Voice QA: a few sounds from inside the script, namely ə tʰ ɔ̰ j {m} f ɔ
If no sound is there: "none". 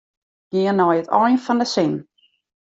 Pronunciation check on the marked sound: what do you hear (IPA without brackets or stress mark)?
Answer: n